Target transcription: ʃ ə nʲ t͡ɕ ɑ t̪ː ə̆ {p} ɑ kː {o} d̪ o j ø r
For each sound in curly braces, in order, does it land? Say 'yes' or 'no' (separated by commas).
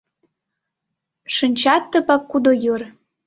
yes, no